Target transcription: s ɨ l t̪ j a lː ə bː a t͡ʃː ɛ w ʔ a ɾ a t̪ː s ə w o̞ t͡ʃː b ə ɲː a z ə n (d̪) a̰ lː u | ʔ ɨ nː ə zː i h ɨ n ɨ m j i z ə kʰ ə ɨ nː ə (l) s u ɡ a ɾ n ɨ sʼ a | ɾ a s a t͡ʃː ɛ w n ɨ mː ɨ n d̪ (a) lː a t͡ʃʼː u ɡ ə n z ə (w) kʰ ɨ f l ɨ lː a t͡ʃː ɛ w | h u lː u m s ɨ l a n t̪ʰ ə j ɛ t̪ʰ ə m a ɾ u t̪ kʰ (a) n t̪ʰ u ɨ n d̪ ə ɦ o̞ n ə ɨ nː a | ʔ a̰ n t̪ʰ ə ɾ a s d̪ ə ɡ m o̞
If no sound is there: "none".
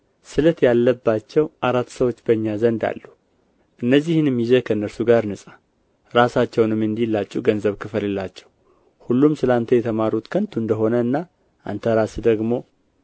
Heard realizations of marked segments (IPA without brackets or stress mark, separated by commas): d̪, ɾ, i, β, ə